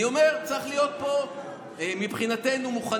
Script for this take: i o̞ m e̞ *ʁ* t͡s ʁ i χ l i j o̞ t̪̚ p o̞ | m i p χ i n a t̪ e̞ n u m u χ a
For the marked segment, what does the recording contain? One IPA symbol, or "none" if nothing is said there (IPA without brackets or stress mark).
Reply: ʁ